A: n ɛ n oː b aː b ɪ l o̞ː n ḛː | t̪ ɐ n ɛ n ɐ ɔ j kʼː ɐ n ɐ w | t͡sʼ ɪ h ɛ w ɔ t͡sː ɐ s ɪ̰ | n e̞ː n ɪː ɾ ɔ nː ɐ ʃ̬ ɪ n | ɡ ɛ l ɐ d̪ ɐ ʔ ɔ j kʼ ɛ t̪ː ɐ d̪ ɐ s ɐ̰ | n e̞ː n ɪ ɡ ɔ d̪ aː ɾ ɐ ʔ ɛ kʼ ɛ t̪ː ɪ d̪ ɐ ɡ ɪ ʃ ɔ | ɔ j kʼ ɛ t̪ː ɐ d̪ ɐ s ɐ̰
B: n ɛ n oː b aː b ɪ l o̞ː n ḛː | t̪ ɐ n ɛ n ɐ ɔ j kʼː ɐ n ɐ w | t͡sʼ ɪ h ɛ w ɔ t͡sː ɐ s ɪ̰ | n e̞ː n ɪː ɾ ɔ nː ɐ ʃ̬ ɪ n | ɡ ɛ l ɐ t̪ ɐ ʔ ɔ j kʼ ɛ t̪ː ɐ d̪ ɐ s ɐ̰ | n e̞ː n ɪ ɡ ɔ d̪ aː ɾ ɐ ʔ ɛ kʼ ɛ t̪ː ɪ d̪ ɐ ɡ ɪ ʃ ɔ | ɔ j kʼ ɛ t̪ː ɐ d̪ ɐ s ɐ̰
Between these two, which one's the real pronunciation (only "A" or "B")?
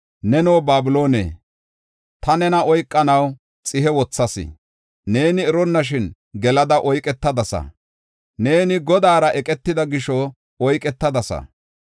A